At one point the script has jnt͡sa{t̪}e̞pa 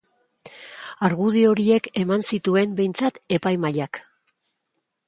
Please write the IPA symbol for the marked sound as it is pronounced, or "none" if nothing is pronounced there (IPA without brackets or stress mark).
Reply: t̪